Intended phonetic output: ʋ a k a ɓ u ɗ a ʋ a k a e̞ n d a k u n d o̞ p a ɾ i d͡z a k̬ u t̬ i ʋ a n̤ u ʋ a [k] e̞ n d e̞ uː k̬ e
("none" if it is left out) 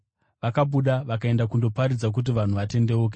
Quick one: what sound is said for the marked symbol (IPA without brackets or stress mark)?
t